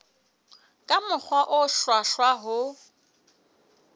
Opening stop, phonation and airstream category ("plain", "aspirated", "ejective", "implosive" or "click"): ejective